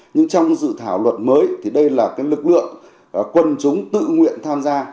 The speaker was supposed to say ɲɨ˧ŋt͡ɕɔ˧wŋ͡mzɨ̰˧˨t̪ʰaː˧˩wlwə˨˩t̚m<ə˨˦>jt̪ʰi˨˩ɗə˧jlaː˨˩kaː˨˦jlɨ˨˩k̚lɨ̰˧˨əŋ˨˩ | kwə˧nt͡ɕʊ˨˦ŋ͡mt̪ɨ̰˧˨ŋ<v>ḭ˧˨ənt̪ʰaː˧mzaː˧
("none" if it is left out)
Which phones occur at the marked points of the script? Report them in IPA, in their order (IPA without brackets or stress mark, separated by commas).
əː˨˦, w